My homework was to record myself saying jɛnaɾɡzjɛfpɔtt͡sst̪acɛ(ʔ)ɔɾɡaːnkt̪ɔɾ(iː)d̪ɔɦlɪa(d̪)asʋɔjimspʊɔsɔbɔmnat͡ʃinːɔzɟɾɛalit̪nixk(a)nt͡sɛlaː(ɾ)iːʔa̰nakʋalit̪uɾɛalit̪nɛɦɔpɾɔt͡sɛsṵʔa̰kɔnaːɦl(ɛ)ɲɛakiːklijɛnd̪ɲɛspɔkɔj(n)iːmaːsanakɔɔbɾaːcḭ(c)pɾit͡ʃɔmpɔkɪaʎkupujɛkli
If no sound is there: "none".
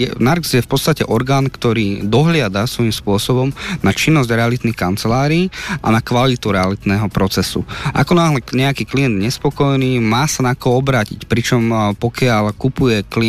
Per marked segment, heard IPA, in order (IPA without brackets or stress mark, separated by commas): ʔ, iː, d̪, a, ɾ, ɛ, n, c